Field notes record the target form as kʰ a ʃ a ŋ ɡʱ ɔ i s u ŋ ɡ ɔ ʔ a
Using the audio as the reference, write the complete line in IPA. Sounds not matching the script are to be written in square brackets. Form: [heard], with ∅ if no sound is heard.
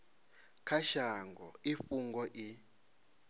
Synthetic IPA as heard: kʰ a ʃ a ŋ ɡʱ ɔ i [f] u ŋ ɡ ɔ ʔ [i]